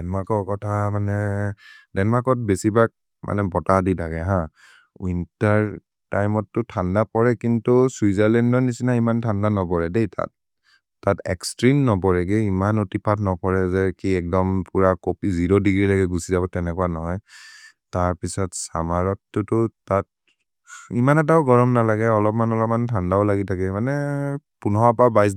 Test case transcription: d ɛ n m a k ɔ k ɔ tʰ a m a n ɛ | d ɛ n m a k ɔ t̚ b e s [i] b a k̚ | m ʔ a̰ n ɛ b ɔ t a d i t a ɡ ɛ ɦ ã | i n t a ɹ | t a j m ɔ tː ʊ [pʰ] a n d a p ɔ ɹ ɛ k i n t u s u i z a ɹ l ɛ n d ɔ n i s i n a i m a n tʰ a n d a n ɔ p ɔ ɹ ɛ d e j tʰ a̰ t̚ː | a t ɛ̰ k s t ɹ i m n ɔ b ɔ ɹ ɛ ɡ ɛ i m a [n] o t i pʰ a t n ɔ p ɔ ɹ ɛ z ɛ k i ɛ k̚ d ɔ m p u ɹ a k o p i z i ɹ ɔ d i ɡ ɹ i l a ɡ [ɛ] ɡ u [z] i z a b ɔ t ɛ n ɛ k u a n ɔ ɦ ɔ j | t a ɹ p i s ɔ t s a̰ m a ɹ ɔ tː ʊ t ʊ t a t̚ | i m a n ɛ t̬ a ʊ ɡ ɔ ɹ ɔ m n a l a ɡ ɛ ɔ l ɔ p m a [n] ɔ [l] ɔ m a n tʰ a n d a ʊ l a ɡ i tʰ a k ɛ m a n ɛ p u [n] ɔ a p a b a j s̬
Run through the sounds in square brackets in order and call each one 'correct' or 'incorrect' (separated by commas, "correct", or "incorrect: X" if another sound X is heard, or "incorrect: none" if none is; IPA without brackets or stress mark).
correct, incorrect: tʰ, correct, correct, incorrect: s, correct, correct, correct